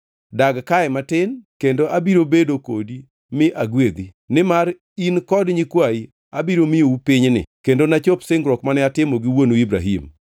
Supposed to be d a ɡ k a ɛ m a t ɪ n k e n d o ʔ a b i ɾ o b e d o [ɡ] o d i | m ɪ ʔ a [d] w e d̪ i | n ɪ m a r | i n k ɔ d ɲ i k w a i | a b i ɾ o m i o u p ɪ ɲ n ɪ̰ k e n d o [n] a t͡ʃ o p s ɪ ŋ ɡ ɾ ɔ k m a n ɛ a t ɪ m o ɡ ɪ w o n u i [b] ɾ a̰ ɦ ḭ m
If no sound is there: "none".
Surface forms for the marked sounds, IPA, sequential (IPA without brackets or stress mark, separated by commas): k, ɡ, n, b